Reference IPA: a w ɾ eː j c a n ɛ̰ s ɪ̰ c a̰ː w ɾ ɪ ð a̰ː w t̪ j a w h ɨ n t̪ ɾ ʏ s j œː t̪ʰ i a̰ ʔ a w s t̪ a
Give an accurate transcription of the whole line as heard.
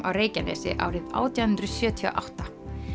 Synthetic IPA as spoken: a w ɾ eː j c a n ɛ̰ s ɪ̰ ʔ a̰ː w ɾ ɪ ð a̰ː w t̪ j a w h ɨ n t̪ ɾ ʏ s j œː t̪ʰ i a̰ ʔ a w h t̪ a